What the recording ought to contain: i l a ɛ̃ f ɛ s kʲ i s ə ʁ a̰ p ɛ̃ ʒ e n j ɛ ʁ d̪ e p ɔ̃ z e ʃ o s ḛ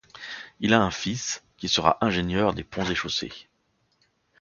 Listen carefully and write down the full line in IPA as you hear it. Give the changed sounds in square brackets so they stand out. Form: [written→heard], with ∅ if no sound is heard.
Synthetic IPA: i l a ɛ̃ f [ɛ→i] s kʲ i s ə ʁ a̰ [p→ʔ] ɛ̃ ʒ e n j [ɛ→œ] ʁ d̪ e p ɔ̃ z e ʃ o s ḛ